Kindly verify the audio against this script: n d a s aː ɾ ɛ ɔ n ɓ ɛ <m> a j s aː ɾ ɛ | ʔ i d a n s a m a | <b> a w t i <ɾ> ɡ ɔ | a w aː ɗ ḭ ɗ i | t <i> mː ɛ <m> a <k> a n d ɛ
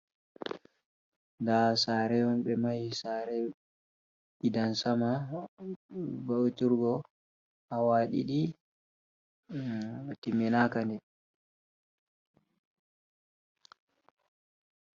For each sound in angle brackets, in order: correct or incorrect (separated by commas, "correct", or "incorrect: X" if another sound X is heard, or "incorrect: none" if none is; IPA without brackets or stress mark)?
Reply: correct, correct, correct, correct, incorrect: n, correct